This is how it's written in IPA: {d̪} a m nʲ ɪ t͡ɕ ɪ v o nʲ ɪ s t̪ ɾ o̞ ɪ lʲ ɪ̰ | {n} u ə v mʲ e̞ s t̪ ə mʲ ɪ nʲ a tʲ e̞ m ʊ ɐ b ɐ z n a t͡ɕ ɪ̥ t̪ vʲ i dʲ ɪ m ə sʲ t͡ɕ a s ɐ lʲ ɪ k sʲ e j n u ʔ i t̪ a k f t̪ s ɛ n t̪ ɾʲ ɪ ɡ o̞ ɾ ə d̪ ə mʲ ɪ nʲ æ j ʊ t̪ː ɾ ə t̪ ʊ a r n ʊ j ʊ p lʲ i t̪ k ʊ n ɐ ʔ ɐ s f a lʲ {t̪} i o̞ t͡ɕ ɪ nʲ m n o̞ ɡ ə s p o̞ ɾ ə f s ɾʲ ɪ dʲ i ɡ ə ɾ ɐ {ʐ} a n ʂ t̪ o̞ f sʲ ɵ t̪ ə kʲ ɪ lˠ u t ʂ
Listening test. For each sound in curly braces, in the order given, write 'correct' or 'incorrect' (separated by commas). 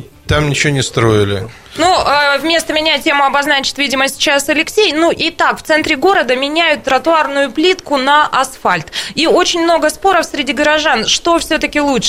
incorrect, correct, correct, correct